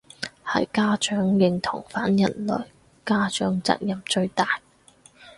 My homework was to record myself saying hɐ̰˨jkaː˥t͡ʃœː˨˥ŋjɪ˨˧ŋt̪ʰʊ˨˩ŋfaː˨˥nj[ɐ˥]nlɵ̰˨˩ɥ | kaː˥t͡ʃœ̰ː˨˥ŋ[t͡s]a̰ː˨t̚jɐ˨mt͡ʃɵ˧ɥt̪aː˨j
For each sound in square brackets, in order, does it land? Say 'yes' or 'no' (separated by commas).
no, yes